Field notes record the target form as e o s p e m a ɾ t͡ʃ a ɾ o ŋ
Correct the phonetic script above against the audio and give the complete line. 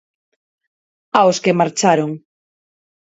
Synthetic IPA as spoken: a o s k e m a ɾ t͡ʃ a ɾ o ŋ